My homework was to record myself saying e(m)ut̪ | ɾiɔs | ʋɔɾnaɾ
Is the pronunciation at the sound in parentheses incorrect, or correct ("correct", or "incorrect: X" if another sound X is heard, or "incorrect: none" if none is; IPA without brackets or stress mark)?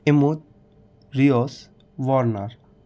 correct